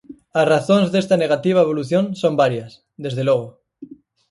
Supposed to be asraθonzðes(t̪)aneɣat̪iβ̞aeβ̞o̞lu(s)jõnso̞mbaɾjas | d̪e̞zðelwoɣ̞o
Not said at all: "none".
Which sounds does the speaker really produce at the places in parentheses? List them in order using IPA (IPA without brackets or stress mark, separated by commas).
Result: t̪, θ